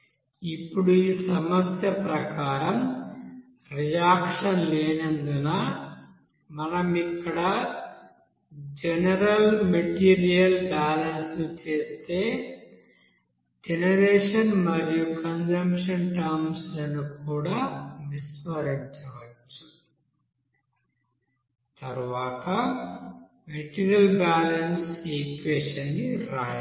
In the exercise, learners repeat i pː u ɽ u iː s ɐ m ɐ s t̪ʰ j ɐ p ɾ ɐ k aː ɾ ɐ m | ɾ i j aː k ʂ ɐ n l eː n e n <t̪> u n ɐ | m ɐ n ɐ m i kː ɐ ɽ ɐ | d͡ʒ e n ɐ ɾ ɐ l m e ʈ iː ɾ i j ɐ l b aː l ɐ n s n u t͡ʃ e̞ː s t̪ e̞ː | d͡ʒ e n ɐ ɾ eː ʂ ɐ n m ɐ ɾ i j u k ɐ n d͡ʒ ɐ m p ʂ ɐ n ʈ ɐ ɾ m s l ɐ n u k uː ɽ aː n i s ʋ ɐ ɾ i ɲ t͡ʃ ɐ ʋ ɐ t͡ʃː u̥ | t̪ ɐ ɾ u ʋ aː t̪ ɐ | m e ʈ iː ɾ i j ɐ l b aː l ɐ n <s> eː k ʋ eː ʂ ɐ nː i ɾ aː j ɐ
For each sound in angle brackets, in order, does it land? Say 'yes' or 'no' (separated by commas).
no, yes